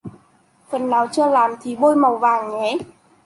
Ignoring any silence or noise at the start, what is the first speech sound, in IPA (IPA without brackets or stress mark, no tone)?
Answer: f